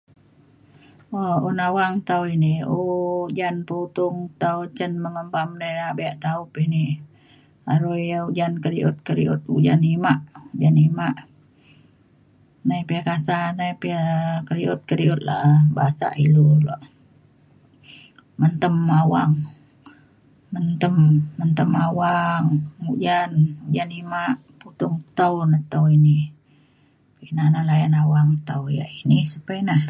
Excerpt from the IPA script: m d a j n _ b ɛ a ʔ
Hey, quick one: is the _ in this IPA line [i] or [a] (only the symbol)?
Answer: a